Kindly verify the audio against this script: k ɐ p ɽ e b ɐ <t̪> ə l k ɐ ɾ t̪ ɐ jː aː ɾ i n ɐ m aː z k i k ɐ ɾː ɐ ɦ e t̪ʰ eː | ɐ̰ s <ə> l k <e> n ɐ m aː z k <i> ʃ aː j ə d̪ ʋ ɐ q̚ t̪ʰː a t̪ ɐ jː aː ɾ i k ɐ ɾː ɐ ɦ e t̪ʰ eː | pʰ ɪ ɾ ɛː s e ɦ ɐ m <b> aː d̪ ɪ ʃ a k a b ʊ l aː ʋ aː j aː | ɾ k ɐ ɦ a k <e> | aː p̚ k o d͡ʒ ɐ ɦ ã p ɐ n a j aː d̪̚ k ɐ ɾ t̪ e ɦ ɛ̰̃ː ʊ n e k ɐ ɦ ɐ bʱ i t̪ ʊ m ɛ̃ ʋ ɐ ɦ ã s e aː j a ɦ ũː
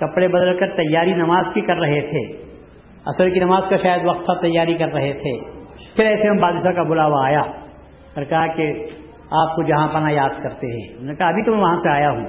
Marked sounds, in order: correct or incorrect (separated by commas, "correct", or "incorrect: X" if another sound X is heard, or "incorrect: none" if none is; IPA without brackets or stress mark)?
incorrect: d̪, correct, incorrect: i, incorrect: a, correct, correct